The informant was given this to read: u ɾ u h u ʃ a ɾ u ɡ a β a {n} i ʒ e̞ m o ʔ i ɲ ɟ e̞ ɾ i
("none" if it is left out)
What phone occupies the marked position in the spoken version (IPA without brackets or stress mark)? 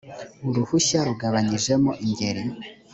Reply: ɲ